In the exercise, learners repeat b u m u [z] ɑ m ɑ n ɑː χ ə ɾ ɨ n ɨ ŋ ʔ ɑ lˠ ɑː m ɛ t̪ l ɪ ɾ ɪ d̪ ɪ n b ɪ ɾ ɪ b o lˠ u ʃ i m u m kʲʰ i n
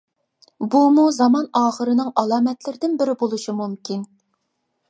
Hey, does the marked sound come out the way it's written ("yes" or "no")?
yes